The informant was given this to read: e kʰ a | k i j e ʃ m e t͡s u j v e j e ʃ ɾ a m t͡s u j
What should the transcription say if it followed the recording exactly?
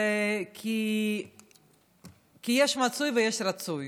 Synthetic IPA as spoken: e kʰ i | k i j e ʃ m a t͡s u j v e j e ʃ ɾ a t͡s u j